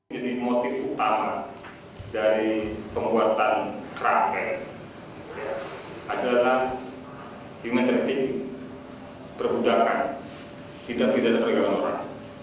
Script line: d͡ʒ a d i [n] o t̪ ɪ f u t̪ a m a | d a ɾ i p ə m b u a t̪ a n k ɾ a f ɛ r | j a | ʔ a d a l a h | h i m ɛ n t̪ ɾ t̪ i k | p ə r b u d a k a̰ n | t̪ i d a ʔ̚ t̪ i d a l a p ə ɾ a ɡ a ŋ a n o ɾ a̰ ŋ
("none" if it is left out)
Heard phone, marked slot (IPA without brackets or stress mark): m